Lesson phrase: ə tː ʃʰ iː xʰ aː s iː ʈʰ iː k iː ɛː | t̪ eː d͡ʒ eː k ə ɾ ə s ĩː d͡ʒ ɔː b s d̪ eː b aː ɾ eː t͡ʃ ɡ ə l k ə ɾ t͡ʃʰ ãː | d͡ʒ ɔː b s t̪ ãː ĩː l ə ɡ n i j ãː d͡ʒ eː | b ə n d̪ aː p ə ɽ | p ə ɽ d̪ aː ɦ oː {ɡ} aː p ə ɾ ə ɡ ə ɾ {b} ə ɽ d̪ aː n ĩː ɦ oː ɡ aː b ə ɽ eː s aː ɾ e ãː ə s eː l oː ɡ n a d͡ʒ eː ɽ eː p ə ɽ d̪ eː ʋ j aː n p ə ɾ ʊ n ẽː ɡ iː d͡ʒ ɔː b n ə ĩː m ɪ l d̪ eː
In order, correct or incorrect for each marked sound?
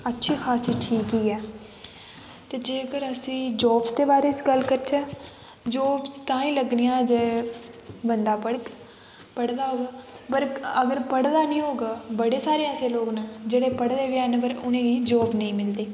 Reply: correct, incorrect: p

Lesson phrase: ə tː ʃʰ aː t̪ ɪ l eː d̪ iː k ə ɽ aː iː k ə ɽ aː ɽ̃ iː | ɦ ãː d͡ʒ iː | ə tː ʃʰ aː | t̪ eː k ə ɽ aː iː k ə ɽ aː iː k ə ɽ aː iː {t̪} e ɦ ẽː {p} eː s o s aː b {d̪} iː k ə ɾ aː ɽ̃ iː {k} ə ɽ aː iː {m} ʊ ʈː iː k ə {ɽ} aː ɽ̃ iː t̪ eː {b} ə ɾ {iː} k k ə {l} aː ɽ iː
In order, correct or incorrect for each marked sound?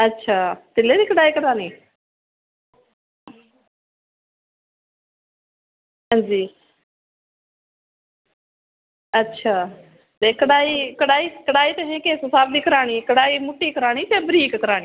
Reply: correct, incorrect: k, correct, correct, correct, incorrect: ɾ, correct, correct, incorrect: ɾ

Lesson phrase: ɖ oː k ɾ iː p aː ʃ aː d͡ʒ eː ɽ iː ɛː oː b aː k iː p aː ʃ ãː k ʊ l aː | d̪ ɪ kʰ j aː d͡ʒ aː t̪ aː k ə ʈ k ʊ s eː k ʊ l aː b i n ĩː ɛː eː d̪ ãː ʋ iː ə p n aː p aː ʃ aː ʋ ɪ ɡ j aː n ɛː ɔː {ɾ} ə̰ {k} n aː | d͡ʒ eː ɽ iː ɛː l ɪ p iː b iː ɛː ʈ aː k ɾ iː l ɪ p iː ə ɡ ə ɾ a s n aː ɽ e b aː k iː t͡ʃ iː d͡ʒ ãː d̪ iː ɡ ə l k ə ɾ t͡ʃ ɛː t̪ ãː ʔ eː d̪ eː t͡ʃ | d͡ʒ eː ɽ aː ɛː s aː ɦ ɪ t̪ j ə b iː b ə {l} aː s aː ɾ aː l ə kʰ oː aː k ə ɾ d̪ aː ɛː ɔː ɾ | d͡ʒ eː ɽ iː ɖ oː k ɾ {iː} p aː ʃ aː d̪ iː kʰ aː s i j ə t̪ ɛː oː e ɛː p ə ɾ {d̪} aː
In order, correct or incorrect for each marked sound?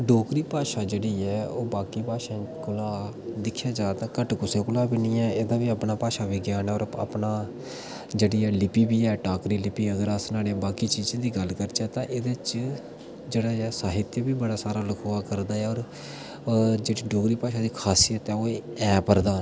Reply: correct, incorrect: p, incorrect: ɽ, correct, correct

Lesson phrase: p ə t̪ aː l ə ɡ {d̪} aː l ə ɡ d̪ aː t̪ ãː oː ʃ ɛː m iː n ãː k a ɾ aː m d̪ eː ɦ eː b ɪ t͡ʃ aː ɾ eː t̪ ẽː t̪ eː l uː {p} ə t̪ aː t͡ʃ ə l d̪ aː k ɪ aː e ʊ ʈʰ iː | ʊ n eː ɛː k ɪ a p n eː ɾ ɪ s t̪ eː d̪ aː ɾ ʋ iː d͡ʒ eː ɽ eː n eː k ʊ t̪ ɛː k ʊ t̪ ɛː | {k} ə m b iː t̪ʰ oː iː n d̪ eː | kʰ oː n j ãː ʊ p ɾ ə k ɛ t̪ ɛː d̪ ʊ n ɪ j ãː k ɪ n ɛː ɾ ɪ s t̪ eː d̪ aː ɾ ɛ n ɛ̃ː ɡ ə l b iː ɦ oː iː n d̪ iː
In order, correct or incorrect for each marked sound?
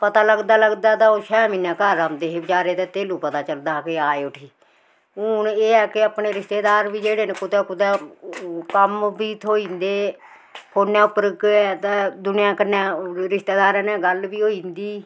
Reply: correct, correct, correct

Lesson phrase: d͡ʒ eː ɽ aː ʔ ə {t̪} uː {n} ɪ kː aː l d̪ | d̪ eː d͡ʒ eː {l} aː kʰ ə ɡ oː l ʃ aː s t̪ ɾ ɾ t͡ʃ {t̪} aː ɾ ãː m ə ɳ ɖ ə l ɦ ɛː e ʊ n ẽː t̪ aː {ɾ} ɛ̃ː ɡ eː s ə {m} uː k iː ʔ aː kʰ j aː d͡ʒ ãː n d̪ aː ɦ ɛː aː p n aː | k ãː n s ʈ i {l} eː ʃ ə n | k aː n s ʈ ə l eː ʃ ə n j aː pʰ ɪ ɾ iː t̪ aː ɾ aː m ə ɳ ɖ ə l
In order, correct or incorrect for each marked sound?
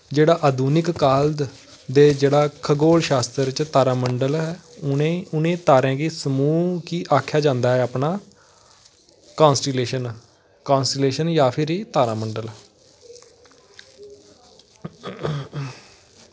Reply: incorrect: d̪, correct, incorrect: ɽ, correct, correct, correct, correct

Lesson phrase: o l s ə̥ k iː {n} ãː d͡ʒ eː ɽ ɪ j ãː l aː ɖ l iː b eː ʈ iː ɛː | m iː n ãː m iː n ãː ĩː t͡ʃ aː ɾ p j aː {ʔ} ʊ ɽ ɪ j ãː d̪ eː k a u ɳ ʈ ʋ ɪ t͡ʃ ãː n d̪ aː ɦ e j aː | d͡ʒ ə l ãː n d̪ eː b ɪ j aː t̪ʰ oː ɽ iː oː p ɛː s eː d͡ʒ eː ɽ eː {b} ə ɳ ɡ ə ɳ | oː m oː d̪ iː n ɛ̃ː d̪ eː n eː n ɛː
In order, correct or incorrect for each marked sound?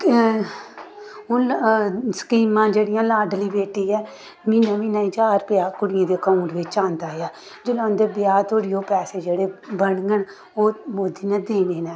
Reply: incorrect: m, incorrect: k, correct

